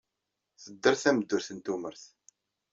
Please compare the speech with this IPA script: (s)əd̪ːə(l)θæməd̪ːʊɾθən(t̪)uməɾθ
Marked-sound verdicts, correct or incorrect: incorrect, incorrect, correct

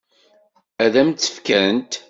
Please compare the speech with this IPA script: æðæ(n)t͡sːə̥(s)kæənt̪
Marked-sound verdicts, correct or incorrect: incorrect, incorrect

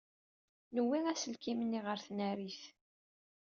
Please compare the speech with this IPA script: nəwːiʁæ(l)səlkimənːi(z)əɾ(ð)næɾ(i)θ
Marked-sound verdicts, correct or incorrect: incorrect, incorrect, incorrect, correct

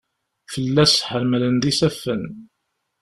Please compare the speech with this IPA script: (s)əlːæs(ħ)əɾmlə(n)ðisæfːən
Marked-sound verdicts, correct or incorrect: incorrect, correct, correct

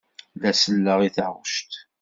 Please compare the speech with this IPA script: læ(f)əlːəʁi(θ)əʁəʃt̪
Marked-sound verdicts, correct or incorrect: incorrect, correct

